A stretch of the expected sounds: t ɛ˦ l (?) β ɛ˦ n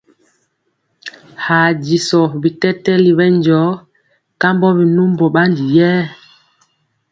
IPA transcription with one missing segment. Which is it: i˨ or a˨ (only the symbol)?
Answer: i˨